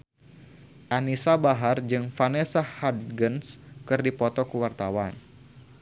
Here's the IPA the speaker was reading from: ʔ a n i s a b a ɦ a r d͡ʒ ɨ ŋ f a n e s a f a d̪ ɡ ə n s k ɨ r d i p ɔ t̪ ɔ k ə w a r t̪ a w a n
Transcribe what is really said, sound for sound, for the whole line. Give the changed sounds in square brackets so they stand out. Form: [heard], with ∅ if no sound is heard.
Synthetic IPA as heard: ʔ a n i s a b a ɦ a r d͡ʒ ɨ ŋ f a n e s a [h] a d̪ ɡ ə n s k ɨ r d i p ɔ t̪ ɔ k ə w a r t̪ a w a n